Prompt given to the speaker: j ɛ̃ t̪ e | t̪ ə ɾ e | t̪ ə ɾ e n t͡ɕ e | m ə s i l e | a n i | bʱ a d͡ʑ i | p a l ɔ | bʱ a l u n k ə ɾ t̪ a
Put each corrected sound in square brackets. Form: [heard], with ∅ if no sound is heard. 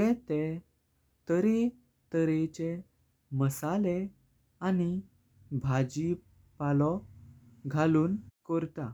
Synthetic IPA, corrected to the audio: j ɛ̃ t̪ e | t̪ ə ɾ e | t̪ ə ɾ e [∅] t͡ɕ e | m ə s [a] l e | a n i | bʱ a d͡ʑ i | p a l ɔ | [ɡʱ] a l [uː] n k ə ɾ t̪ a